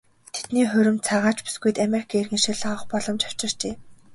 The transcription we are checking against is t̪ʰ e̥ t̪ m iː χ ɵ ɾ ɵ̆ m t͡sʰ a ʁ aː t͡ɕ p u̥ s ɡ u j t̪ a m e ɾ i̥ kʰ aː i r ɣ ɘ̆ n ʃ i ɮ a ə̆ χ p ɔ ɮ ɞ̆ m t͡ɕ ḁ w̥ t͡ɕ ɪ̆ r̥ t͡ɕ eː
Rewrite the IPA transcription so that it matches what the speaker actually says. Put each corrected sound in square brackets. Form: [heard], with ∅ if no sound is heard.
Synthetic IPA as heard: t̪ʰ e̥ t̪ [n] iː χ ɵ ɾ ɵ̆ m t͡sʰ a ʁ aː t͡ɕ p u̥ s ɡ u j t̪ a m e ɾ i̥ kʰ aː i r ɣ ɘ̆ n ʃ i ɮ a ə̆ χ p ɔ ɮ ɞ̆ m t͡ɕ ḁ w̥ t͡ɕ ɪ̆ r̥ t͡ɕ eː